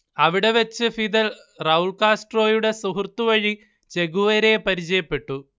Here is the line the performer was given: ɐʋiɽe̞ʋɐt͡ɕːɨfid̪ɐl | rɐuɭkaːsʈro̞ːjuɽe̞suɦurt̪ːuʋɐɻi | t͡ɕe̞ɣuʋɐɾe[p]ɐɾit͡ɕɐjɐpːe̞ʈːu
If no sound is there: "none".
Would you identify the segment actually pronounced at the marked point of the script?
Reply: p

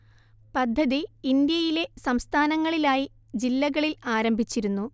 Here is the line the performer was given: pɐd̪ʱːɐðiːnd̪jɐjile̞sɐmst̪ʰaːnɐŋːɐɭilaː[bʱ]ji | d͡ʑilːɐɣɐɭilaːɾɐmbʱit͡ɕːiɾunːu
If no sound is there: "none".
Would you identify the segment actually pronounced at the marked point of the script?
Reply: none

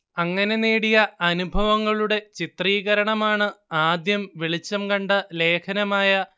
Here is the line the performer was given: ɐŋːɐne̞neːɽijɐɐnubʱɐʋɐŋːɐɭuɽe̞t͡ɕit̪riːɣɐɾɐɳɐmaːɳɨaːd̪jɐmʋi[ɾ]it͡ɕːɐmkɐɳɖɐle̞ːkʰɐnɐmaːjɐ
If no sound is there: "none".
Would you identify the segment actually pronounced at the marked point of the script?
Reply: ɭ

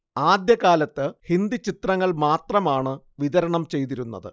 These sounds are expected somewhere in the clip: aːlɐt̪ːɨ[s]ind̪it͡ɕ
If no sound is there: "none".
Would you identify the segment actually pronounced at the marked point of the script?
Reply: h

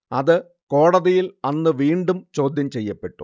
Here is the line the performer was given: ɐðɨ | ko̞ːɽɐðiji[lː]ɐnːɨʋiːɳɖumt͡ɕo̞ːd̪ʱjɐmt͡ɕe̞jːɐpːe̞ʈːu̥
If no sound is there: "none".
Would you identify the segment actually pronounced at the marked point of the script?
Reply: l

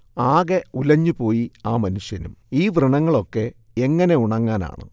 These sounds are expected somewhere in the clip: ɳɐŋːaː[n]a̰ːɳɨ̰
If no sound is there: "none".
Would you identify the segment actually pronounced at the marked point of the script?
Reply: n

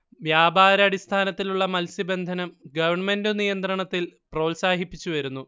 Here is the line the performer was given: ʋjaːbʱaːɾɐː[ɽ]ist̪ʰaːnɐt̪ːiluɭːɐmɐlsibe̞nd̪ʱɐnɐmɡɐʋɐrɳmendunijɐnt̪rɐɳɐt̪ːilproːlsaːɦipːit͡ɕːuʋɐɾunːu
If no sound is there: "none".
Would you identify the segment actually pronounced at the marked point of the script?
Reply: ɽ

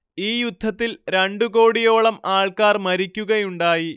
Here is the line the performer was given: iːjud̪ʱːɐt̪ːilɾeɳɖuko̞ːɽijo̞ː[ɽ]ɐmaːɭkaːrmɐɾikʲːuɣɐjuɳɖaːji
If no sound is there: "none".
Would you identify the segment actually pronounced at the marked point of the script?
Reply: ɭ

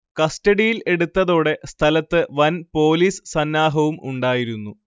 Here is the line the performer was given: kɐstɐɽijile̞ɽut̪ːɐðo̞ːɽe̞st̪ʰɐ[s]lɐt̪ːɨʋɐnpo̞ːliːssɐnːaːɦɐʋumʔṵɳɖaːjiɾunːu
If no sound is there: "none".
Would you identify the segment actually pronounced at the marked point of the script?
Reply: none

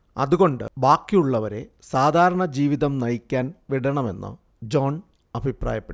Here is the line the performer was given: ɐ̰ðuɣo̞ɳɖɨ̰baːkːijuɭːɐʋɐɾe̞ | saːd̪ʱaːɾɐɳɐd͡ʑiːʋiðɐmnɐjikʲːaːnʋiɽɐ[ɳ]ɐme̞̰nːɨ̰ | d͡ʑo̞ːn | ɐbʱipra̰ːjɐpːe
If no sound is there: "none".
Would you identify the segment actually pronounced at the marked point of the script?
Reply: ɳ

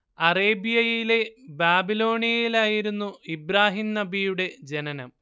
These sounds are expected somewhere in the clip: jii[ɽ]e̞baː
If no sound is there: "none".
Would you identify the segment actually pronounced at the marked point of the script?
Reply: l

